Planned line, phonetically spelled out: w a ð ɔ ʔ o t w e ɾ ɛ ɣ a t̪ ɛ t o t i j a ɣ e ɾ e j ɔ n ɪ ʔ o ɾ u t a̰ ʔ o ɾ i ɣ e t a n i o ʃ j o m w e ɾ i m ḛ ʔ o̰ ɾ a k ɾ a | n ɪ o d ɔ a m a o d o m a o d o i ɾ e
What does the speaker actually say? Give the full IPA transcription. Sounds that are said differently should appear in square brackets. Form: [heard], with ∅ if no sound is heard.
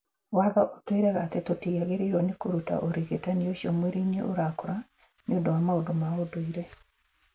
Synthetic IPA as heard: w a ð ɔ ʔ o t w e ɾ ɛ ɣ a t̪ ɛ t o t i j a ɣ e ɾ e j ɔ n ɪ [k] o ɾ u t a̰ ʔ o ɾ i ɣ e t a n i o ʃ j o m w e ɾ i [ɲ] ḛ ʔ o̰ ɾ a k ɾ a | n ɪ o d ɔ a m a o d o m a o d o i ɾ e